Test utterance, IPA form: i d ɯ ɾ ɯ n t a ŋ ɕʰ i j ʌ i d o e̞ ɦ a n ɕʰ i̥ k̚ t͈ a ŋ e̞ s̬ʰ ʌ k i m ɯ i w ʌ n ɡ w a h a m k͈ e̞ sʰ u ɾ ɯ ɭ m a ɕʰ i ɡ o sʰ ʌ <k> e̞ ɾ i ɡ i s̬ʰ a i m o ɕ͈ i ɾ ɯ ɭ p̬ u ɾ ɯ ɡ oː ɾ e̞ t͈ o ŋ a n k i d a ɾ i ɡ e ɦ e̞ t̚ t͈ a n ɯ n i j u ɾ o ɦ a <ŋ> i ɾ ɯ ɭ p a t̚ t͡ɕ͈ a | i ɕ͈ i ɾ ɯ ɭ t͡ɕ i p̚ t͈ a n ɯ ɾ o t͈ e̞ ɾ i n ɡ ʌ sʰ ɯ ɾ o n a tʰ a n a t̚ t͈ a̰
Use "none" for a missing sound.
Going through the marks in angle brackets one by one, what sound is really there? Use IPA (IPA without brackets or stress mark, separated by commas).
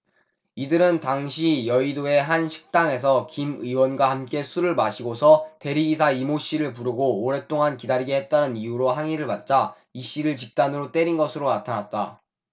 t, ŋ